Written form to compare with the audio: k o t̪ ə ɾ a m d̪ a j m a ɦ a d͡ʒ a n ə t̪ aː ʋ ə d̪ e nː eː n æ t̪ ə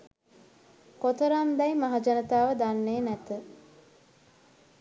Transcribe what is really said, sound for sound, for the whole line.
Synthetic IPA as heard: k o t̪ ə ɾ a m d̪ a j m a ɦ a d͡ʒ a n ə t̪ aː ʋ ə d̪ a nː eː n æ t̪ ə